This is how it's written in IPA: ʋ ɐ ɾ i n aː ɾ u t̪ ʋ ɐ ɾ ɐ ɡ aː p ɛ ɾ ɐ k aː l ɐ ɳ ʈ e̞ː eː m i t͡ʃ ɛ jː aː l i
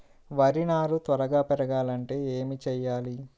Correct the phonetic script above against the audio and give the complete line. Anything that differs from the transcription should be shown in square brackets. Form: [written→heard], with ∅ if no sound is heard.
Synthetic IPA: ʋ ɐ ɾ i n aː ɾ u t̪ ʋ ɐ ɾ ɐ ɡ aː p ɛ ɾ ɐ [k→ɡ] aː l ɐ ɳ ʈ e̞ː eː m i t͡ʃ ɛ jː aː l i